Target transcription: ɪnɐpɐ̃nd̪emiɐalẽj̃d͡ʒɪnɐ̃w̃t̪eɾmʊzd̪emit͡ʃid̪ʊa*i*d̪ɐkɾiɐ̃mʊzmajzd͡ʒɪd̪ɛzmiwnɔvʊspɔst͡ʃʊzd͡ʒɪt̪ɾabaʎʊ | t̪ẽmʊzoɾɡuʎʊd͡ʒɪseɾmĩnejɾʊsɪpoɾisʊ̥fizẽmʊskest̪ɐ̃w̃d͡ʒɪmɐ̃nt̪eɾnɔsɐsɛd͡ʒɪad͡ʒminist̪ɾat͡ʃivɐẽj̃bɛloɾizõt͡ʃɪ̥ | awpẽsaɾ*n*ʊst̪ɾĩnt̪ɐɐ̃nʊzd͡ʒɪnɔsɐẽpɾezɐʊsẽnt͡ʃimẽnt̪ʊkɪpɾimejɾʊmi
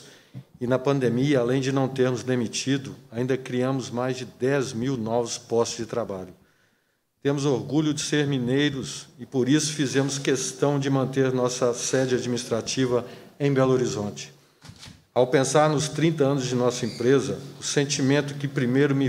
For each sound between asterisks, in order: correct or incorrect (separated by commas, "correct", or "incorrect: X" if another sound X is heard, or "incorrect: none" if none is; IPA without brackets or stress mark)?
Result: incorrect: ĩ, correct